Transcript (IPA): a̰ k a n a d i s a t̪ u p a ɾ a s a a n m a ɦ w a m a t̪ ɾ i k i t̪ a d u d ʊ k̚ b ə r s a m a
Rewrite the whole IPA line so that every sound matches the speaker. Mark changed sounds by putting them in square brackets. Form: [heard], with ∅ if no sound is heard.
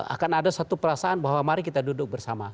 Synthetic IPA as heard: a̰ k a n a d [a] s a t̪ u p [ə] ɾ a s a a n [b] a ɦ w a m a [∅] ɾ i k i t̪ a d u d ʊ k̚ b ə r s a m a